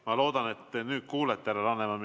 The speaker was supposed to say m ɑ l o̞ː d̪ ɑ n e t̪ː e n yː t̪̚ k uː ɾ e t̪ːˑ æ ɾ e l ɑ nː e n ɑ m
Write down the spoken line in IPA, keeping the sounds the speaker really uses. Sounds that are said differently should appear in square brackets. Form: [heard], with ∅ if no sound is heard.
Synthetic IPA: m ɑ l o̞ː d̪ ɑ n e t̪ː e n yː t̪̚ k uː [l] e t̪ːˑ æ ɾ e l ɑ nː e [m] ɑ m